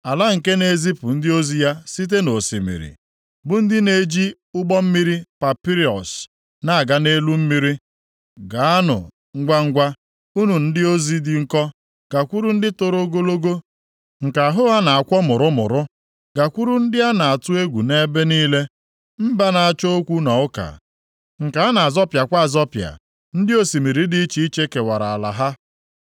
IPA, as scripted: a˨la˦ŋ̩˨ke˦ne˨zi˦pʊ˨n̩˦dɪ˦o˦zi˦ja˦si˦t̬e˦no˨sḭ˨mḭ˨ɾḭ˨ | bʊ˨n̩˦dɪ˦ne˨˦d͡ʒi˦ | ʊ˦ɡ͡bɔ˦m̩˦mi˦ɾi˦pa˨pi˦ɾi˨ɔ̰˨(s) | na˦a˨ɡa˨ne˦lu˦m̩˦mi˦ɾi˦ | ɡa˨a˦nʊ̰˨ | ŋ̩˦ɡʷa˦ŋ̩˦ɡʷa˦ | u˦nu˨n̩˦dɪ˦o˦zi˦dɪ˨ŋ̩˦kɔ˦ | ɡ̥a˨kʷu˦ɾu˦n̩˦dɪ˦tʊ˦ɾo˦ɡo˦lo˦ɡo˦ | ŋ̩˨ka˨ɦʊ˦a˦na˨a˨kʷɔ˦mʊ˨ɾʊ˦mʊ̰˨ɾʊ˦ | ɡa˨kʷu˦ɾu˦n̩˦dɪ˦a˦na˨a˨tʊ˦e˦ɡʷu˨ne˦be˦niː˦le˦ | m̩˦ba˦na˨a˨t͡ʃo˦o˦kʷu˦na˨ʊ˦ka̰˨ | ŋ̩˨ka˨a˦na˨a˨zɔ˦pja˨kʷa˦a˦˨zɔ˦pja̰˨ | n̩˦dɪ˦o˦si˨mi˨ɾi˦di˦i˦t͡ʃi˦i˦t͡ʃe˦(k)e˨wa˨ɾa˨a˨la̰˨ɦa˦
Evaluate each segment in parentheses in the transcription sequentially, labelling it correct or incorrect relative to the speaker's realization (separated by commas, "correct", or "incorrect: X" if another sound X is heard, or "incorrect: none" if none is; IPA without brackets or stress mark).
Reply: correct, correct